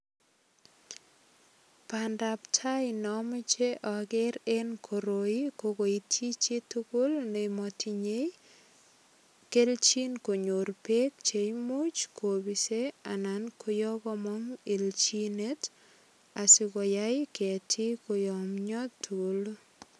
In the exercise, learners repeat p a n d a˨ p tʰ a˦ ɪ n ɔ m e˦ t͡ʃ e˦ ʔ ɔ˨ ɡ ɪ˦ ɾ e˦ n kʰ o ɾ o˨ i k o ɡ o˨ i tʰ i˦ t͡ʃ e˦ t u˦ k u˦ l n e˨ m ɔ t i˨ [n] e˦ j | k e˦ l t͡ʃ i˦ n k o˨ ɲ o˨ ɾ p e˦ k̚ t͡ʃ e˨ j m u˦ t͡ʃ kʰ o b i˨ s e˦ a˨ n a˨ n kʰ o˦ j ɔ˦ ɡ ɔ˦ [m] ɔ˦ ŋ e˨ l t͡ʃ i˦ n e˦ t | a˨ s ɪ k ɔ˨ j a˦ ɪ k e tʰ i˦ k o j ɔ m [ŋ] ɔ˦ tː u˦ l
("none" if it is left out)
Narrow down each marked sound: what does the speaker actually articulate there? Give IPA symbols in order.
ɲ, m, ɲ

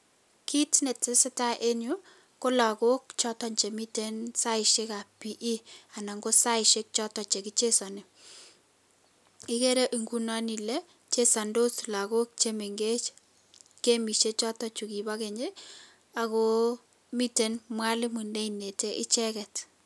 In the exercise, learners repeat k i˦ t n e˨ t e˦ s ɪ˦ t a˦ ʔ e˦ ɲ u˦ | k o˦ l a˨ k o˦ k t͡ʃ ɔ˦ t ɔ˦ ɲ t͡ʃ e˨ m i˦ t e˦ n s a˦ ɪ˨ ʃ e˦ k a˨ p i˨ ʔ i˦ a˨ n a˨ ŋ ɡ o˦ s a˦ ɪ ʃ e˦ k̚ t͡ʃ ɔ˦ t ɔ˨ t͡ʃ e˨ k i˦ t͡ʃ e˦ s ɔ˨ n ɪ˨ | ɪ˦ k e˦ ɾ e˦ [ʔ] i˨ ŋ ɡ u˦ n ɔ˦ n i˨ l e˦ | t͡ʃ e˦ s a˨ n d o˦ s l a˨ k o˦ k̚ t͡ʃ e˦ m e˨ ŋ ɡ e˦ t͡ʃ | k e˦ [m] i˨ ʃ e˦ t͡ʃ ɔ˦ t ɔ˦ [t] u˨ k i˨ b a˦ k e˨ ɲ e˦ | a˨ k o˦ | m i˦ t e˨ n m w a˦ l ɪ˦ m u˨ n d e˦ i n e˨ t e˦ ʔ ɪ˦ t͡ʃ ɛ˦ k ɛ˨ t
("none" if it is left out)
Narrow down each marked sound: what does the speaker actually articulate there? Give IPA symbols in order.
ʔ, m, t͡ʃ

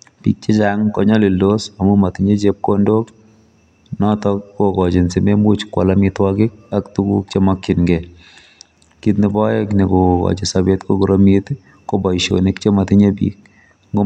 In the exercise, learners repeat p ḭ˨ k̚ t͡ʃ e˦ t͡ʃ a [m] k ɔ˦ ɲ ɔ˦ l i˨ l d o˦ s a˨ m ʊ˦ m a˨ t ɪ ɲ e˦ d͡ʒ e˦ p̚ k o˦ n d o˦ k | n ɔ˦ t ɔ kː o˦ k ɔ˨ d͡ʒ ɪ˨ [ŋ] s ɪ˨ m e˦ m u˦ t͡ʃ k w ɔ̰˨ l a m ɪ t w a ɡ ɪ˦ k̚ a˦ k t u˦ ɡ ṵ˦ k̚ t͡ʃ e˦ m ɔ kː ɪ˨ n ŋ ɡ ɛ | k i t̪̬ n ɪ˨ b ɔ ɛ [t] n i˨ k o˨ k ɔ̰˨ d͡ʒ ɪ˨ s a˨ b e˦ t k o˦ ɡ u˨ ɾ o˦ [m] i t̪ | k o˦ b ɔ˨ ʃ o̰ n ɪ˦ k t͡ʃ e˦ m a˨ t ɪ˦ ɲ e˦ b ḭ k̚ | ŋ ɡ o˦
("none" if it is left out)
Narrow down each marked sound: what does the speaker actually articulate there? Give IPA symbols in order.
ŋ, n, k, m

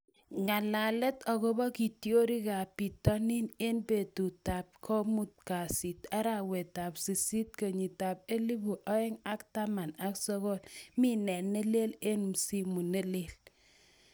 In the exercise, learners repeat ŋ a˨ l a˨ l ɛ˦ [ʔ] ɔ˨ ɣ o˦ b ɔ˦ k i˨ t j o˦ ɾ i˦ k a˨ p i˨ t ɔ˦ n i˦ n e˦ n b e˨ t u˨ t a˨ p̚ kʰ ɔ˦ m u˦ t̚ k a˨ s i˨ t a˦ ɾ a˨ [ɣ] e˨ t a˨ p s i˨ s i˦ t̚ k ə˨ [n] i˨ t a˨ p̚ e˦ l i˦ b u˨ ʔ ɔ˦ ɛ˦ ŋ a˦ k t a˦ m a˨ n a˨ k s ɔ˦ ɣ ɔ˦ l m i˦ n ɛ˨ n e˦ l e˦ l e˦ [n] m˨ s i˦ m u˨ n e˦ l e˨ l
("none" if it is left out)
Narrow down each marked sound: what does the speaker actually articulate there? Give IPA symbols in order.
t, w, ɲ, n

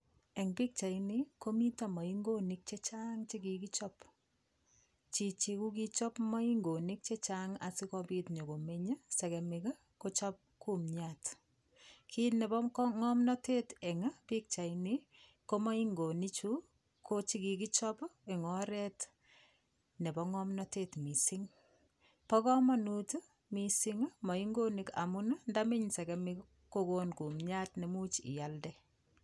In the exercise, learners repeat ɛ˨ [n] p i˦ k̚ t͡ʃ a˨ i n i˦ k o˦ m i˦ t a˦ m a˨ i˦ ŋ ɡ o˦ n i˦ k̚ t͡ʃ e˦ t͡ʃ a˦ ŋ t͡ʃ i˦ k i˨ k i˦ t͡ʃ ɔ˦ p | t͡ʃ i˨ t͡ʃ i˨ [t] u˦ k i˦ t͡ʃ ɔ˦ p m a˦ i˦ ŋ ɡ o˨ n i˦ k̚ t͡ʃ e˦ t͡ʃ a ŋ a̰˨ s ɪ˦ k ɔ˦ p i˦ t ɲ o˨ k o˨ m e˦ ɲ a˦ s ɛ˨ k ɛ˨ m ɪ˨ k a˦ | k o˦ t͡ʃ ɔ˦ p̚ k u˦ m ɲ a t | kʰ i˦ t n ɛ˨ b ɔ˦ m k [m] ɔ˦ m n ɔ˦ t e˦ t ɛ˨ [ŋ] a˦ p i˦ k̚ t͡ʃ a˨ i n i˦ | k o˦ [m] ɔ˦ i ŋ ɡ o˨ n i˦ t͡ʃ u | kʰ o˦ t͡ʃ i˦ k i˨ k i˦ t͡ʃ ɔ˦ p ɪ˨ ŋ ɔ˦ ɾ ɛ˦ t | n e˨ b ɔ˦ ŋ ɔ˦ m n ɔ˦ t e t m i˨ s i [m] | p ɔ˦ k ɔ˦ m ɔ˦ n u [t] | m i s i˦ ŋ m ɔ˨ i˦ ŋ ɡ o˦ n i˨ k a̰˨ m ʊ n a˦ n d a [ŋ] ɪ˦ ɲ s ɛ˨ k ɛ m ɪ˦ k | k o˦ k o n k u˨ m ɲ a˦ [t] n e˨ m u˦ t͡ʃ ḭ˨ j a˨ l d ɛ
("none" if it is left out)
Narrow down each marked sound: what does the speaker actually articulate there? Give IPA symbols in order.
ŋ, k, ŋ, ŋ, m, ŋ, t, m, t

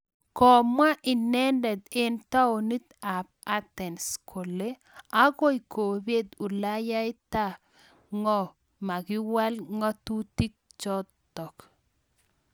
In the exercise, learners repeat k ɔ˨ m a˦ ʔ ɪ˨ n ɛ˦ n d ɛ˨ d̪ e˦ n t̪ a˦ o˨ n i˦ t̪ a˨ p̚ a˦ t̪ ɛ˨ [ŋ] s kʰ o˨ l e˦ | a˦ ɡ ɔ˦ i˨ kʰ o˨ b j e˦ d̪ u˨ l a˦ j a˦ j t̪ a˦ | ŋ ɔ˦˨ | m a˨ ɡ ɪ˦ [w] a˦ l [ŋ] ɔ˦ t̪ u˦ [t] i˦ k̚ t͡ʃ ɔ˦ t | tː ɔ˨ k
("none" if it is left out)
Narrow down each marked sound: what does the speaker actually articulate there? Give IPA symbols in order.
n, w, ŋ, t

